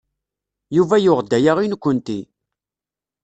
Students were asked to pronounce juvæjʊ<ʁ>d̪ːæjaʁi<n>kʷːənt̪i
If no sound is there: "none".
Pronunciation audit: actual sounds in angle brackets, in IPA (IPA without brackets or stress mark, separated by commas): ʁ, n